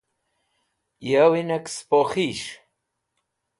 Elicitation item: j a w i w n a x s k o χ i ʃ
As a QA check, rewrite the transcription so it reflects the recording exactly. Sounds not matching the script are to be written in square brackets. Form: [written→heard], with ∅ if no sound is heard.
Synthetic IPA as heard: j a w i [w→∅] n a [x→k] s [k→p] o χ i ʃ